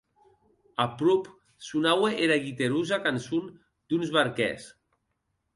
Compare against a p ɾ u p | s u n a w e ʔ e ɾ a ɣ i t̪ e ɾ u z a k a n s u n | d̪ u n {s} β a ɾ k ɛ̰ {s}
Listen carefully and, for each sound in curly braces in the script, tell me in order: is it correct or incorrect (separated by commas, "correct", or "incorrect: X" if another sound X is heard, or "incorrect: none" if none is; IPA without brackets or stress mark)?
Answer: incorrect: z, correct